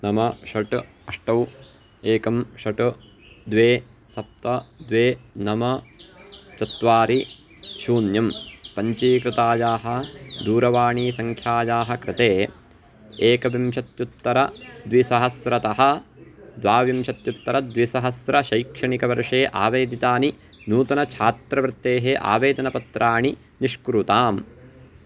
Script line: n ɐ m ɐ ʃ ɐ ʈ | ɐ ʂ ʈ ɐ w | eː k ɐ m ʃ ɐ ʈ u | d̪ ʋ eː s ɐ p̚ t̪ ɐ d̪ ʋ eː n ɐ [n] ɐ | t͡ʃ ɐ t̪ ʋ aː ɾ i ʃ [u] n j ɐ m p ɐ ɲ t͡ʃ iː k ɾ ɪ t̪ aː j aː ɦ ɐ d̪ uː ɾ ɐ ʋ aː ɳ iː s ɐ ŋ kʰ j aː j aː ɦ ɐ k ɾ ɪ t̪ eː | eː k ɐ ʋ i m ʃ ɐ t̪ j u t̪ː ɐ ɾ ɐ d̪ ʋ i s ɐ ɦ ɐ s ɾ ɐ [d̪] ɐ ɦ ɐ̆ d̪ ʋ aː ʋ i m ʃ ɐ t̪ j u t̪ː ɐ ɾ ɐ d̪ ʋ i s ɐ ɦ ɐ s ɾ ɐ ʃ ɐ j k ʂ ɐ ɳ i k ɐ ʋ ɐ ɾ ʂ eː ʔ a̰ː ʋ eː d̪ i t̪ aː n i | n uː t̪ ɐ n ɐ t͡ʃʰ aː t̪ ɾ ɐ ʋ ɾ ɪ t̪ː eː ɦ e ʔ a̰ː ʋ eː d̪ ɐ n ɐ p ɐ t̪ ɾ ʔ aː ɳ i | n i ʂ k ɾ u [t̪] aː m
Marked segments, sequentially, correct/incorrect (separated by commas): incorrect, incorrect, incorrect, correct